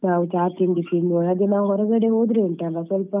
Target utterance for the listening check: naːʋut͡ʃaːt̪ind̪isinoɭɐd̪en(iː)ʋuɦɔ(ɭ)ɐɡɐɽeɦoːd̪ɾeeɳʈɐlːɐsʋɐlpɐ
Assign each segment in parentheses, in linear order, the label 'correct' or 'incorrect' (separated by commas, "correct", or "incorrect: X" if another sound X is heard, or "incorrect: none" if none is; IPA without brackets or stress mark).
incorrect: aː, incorrect: ɾ